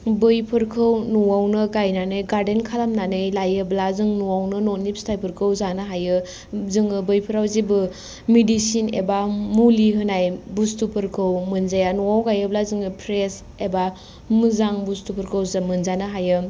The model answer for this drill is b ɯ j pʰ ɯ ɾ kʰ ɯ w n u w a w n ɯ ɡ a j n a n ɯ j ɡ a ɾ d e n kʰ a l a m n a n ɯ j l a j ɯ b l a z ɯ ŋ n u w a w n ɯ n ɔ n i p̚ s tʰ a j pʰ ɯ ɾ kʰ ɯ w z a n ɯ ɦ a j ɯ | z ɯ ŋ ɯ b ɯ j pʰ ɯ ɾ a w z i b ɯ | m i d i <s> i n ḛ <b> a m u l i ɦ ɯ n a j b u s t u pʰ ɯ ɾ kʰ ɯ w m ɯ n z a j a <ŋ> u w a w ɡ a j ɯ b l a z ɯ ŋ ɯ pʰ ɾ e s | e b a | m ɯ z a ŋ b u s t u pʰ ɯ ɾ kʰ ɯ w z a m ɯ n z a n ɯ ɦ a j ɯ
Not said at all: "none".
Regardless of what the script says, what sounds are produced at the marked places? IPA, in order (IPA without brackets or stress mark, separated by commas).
s, b, n